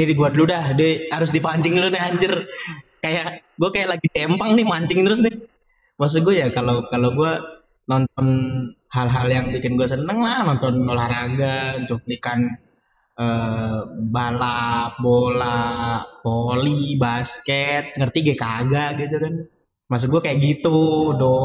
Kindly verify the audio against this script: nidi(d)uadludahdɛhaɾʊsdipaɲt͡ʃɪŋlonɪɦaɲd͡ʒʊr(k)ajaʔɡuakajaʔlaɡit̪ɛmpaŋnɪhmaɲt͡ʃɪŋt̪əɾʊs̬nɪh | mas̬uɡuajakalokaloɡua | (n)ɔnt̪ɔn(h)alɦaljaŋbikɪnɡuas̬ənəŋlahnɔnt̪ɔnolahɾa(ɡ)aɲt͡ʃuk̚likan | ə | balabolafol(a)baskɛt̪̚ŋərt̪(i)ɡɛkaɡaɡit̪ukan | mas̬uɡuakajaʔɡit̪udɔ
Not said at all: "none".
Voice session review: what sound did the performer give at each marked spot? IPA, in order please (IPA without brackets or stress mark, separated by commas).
ɡ, k, n, h, ɡ, i, i